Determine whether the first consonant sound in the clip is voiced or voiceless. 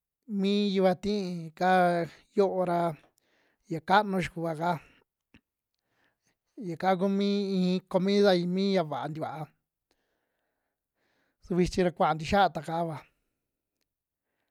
voiced